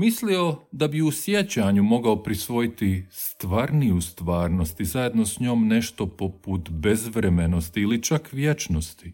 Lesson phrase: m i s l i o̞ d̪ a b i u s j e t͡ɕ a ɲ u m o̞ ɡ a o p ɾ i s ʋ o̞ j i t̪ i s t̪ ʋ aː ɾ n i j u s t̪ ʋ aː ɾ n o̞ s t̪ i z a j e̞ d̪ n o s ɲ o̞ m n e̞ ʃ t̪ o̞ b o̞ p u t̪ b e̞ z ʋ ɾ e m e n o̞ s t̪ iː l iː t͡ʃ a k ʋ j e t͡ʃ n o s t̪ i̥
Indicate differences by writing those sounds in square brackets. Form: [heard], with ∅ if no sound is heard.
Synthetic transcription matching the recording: m i s l i o̞ d̪ a b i u s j e t͡ɕ a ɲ u m o̞ ɡ a o p ɾ i s ʋ o̞ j i t̪ i s t̪ ʋ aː ɾ n i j u s t̪ ʋ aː ɾ n o̞ s t̪ i z a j e̞ d̪ n o s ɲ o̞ m n e̞ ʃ t̪ o̞ [p] o̞ p u t̪ b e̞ z ʋ ɾ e m e n o̞ s t̪ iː l [i] t͡ʃ a k ʋ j e t͡ʃ n o s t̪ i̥